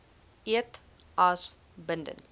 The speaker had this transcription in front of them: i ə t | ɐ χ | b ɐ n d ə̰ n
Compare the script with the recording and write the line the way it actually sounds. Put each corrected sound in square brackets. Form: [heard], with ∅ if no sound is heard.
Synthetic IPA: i ə t | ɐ [s] | b [ə] n d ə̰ n